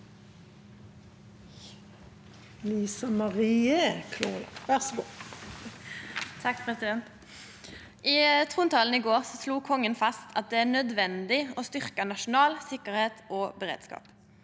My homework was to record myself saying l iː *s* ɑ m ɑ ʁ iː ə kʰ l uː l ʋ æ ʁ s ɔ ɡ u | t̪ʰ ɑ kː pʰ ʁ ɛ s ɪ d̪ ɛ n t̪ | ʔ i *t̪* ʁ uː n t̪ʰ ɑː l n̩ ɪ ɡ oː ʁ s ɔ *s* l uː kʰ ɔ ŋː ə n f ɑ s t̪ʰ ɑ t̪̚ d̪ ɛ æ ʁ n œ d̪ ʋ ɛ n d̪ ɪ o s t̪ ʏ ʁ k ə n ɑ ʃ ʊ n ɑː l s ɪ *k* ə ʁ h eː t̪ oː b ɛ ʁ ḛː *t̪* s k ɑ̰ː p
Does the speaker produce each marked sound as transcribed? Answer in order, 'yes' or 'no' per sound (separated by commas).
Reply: yes, no, yes, yes, no